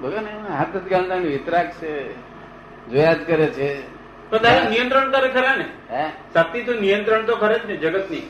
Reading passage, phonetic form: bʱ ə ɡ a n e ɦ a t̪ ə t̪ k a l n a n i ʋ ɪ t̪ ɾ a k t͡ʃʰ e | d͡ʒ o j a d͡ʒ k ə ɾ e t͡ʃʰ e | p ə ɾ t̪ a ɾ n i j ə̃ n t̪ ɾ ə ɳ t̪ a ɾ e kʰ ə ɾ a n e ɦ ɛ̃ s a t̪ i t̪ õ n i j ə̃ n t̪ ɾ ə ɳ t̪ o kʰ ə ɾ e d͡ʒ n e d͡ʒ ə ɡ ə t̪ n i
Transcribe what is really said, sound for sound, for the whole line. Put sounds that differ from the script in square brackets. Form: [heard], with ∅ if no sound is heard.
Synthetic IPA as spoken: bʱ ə ɡ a n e ɦ a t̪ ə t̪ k a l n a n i ʋ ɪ t̪ ɾ a k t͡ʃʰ e | d͡ʒ o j a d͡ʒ k ə ɾ e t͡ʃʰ e | p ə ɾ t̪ a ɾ n i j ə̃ n t̪ ɾ ə ɳ t̪ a ɾ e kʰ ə ɾ a n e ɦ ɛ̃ s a t̪ i t̪ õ n i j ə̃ n t̪ ɾ ə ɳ t̪ o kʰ ə ɾ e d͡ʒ n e d͡ʒ ə ɡ ə t̪ n i